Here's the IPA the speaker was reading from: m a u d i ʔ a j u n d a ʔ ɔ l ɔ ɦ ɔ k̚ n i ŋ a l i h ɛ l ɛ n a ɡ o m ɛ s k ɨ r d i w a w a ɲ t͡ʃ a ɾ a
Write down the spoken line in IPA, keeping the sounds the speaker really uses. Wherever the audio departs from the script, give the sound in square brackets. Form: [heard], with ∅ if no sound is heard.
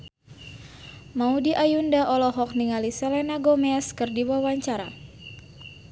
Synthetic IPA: m a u d i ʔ a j u n d a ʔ ɔ l ɔ ɦ ɔ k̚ n i ŋ a l i [s] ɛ l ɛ n a ɡ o m ɛ s k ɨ r d i w a w a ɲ t͡ʃ a ɾ a